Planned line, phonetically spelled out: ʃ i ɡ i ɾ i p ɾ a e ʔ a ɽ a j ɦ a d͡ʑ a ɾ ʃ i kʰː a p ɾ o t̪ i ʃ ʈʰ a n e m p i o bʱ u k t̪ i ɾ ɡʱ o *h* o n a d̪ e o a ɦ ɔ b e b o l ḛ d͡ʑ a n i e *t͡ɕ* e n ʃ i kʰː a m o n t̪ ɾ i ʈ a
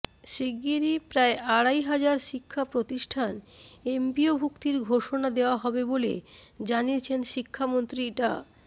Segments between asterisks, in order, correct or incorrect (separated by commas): incorrect, incorrect